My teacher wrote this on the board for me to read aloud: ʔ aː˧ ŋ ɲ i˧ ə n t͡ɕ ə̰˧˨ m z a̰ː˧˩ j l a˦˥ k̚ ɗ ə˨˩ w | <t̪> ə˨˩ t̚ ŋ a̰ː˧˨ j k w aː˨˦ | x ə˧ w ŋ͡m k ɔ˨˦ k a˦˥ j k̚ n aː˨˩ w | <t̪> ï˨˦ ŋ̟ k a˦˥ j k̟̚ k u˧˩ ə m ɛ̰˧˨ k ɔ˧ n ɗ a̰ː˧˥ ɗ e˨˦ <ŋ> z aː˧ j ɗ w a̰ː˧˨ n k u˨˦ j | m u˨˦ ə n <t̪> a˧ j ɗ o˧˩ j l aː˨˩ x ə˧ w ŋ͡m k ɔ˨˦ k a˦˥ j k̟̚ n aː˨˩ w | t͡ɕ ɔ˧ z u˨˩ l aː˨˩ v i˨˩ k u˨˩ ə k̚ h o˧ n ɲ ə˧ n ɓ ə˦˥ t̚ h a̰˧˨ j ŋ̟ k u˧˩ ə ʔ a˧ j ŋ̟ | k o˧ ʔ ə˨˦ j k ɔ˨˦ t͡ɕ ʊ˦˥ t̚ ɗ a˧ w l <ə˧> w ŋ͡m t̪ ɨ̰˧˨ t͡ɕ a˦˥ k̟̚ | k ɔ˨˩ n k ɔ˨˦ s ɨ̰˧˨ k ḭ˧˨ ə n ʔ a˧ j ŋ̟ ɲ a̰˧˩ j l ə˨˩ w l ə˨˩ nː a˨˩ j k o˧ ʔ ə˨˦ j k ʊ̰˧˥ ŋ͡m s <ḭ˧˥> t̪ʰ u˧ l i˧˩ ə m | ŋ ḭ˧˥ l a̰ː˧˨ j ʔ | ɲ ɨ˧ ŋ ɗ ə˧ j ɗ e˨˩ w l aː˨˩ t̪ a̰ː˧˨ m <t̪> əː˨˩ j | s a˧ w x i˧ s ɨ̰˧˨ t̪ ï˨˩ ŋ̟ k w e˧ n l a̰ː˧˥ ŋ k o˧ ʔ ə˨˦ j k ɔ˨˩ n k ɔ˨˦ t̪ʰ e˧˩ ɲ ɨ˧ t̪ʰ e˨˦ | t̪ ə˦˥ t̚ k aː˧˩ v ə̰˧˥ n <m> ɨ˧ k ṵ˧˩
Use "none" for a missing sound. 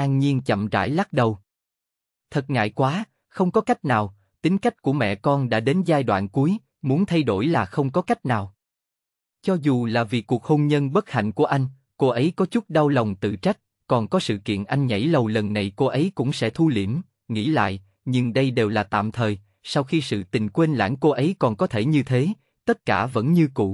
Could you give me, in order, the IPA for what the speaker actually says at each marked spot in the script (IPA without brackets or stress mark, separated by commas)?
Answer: t̪ʰ, t̪, n, t̪ʰ, ə˨˩, ɛ̰˧˥, t̪ʰ, ɲ